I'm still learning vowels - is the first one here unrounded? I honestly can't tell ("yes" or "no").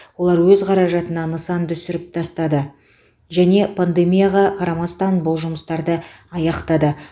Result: no